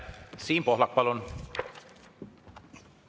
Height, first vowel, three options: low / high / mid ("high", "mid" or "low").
high